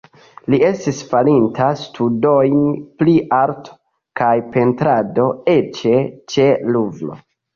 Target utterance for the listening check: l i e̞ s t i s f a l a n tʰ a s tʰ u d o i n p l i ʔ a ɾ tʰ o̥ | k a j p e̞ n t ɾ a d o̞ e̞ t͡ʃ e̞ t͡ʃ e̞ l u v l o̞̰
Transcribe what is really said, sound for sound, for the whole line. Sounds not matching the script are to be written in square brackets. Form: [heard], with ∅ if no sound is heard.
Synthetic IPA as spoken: l i e̞ s t i s f a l [i] n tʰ a s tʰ u d o [j] n p l i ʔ a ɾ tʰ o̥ | k a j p e̞ n t ɾ a d o̞ e̞ t͡ʃ e̞ t͡ʃ e̞ l u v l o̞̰